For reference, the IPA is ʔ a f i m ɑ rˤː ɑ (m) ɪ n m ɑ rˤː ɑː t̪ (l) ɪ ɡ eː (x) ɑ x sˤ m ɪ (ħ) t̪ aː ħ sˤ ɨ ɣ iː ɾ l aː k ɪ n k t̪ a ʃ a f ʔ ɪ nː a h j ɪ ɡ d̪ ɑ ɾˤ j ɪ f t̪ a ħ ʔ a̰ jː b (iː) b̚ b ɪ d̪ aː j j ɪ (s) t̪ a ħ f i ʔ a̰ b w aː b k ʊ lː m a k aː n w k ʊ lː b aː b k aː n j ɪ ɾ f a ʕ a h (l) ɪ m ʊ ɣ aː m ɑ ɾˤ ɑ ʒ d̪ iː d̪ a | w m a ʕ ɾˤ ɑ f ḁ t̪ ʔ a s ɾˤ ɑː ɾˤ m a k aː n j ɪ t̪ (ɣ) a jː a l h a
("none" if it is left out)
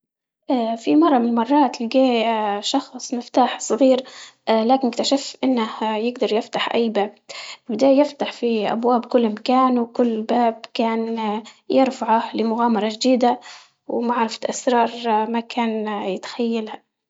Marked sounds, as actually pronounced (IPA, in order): m, l, ʃ, f, aː, f, l, x

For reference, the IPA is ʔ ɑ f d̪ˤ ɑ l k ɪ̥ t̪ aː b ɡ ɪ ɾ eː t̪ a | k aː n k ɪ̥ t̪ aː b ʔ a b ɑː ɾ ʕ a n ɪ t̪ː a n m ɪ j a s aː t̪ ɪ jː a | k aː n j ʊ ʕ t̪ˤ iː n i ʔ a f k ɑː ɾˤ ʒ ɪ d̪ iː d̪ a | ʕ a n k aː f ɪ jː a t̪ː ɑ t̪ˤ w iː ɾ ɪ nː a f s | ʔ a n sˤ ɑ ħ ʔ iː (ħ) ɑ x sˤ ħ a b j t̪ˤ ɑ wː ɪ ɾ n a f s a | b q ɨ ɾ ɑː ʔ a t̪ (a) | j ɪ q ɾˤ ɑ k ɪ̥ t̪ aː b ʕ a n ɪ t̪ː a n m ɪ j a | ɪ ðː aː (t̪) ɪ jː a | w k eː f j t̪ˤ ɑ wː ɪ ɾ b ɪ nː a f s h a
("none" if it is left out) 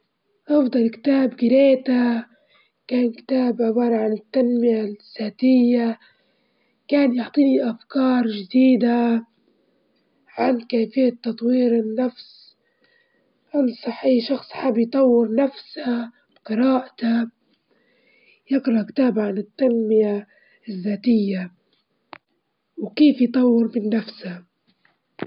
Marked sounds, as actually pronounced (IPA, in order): ʃ, a, t̪

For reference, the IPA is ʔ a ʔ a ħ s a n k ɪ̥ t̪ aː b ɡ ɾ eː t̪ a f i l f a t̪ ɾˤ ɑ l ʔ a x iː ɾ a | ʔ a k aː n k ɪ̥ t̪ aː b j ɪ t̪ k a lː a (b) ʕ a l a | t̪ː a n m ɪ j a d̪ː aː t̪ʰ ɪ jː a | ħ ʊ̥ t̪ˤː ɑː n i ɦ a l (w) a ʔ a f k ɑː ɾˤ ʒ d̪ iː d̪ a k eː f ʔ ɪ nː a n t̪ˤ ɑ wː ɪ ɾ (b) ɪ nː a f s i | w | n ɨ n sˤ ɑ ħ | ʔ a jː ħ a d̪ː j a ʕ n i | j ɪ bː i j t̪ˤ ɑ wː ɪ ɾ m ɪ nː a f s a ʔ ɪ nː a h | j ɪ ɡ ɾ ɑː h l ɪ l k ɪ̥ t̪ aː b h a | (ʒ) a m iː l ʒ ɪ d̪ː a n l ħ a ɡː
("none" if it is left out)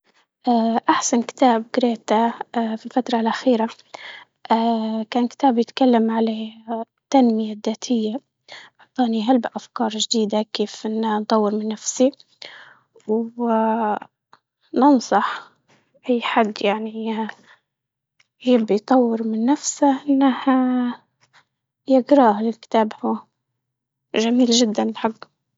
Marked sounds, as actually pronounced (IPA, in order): m, b, m, ʒ

